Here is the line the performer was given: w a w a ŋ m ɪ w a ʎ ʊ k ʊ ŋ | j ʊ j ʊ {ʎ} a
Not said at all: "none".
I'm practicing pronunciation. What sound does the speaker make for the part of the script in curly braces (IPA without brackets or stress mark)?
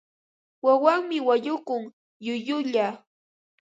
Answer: ʎ